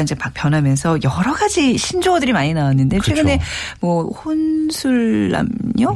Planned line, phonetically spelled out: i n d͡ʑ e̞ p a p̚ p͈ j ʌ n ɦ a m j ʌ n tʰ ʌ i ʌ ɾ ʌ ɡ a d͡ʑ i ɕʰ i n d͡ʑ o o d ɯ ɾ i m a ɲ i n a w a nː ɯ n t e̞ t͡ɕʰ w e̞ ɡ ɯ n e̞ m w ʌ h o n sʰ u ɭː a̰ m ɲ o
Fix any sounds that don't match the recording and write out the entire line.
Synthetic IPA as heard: i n d͡ʑ e̞ p a k̚ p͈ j ʌ n ɦ a m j ʌ n sʰ ʌ j ʌ ɾ ʌ ɡ a d͡ʑ i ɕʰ i n d͡ʑ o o d ɯ ɾ i m a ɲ i n a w a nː ɯ n d e̞ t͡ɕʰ w e̞ ɡ ɯ n e̞ m w ʌ h o n sʰ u ɭː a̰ m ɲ o